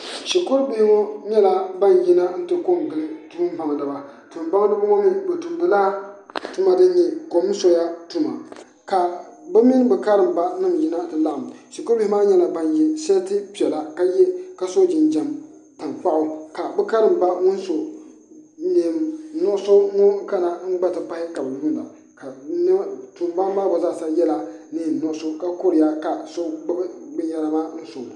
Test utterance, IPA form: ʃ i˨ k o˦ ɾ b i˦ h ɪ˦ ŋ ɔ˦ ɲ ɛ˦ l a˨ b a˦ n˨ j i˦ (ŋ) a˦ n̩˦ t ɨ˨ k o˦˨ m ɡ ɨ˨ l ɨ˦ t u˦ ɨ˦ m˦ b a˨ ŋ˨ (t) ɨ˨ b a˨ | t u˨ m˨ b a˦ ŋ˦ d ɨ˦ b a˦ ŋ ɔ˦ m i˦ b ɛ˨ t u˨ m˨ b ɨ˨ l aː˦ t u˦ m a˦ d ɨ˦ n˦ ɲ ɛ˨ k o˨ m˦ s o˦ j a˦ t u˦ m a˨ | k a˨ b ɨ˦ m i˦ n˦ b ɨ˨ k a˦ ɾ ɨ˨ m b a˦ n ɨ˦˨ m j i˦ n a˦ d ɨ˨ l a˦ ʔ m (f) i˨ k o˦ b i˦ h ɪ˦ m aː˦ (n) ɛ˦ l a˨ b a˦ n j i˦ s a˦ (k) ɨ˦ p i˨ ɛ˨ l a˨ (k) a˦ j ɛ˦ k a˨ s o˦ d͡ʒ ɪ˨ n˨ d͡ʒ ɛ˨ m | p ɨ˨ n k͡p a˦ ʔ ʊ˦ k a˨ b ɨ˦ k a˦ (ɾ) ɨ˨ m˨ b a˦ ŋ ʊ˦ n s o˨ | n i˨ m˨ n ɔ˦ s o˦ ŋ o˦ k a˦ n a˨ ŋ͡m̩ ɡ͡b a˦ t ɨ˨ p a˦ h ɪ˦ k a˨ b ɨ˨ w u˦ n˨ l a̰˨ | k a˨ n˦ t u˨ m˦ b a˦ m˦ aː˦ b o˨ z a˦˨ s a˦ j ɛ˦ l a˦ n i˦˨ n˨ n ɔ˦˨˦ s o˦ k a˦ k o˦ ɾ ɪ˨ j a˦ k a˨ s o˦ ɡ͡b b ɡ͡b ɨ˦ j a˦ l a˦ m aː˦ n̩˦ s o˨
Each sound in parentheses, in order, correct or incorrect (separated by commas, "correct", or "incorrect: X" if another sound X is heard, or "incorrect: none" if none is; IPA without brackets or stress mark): incorrect: n, incorrect: d, incorrect: ʃ, incorrect: ɲ, incorrect: t, correct, correct